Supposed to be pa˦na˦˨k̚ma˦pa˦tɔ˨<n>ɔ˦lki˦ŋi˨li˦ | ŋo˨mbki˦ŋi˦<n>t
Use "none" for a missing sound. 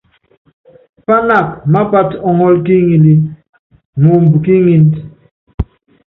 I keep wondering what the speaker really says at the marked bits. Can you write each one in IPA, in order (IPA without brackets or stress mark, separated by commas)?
ŋ, n